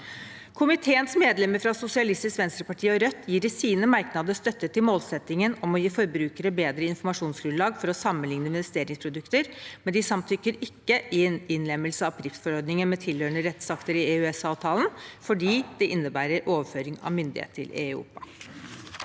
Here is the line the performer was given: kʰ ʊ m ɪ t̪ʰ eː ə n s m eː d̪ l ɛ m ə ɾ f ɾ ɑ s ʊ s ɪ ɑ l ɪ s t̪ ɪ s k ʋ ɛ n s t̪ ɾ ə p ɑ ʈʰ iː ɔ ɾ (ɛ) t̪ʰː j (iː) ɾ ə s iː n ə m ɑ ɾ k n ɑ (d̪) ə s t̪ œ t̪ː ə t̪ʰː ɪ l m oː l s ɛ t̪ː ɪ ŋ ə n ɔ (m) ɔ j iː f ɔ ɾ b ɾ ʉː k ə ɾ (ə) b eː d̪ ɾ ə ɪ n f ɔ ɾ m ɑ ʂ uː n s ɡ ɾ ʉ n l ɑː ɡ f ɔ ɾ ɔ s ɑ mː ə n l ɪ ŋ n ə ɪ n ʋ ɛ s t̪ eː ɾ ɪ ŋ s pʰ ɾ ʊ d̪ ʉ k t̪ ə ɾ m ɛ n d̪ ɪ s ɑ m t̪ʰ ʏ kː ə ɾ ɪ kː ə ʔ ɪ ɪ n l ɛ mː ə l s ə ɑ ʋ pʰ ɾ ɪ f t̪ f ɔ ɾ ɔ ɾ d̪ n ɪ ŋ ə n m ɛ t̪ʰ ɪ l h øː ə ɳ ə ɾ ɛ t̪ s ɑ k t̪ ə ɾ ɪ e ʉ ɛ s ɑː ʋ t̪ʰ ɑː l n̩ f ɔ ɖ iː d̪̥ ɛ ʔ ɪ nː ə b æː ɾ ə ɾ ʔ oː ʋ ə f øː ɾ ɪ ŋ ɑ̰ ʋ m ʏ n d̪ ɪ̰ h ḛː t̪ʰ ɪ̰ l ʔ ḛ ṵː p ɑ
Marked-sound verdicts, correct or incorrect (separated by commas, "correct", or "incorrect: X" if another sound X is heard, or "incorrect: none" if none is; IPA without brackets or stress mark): incorrect: œ, correct, correct, correct, correct